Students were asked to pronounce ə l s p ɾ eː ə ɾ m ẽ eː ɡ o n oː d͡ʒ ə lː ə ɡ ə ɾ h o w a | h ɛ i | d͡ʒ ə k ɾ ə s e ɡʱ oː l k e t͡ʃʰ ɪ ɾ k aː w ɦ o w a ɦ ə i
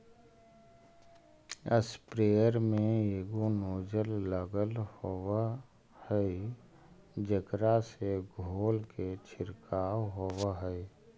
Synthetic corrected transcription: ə s p ɾ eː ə ɾ m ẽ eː ɡ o n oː d͡ʒ ə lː ə ɡ ə l h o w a | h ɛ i | d͡ʒ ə k ɾ a s e ɡʱ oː l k e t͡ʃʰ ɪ ɾ k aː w ɦ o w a ɦ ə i